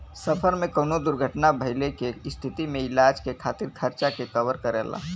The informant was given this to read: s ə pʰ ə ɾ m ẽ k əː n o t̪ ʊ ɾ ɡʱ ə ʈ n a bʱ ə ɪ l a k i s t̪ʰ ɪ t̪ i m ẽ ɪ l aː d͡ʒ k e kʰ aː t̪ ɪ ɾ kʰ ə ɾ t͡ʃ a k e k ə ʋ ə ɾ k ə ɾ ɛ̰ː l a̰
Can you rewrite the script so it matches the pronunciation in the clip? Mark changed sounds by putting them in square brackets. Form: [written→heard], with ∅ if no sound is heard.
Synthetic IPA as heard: s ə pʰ ə ɾ m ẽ k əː n o [t̪→d̪] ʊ ɾ ɡʱ ə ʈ n a bʱ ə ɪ l [a→e] k [i→e] s t̪ʰ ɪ t̪ i m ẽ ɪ l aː d͡ʒ k e kʰ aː t̪ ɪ ɾ kʰ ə ɾ t͡ʃ a k e k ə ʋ ə ɾ k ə ɾ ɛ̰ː l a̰

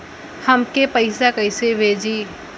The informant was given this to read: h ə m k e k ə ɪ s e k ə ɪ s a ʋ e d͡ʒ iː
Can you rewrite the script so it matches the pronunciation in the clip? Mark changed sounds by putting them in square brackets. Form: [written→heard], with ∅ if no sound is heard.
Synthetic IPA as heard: h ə m k e [k→p] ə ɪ s [e→a] k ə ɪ s [a→e] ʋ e d͡ʒ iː

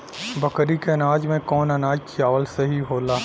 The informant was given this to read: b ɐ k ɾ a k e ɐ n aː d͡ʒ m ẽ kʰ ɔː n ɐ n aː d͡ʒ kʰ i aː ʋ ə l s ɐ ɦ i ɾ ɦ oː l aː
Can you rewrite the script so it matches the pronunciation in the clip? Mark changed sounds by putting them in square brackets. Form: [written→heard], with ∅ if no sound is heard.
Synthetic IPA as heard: b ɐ k ɾ [a→i] k e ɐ n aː d͡ʒ m ẽ [kʰ→k] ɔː n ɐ n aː d͡ʒ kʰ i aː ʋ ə l s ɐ ɦ i [ɾ→∅] ɦ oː l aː

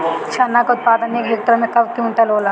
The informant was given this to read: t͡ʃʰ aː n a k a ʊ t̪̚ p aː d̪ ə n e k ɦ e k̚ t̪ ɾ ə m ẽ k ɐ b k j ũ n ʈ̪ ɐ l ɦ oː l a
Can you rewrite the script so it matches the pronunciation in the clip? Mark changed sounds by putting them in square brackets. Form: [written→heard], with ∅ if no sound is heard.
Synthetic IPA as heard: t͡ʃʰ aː n a k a ʊ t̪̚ p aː d̪ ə n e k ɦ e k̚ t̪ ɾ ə m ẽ k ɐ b k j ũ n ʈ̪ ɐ l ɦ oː l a

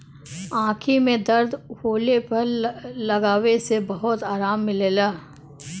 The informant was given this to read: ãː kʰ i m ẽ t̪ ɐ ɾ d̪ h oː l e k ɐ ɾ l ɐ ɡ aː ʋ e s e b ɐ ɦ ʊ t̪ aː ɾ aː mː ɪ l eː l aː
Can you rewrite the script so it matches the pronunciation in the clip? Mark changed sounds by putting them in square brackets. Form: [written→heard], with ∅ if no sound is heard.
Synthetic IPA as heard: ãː kʰ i m ẽ [t̪→d̪] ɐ ɾ d̪ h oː l e [k→p] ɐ ɾ l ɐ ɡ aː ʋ e s e b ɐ ɦ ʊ t̪ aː ɾ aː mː ɪ l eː l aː

